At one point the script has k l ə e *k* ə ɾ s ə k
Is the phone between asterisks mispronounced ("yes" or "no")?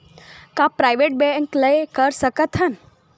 no